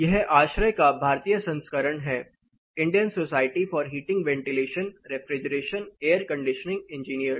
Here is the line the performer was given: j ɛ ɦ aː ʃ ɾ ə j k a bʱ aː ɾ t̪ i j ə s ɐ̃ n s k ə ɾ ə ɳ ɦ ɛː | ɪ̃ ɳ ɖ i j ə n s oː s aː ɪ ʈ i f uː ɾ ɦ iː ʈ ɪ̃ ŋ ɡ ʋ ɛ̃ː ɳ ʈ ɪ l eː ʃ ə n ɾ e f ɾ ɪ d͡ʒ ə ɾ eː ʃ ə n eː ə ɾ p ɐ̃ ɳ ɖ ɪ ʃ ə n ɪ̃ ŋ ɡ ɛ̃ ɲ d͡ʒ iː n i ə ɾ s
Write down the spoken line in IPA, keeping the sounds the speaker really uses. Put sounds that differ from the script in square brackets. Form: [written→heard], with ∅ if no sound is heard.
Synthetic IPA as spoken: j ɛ ɦ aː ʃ ɾ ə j k a bʱ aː ɾ t̪ i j ə s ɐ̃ n s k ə ɾ ə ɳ ɦ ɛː | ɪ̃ ɳ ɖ i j ə n s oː s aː ɪ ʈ i f [uː→ɔː] ɾ ɦ iː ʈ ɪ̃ ŋ ɡ ʋ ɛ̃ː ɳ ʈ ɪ l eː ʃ ə n ɾ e f ɾ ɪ d͡ʒ ə ɾ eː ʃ ə n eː ə ɾ [p→k] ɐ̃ ɳ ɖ ɪ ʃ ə n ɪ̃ ŋ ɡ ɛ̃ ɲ d͡ʒ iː n i ə ɾ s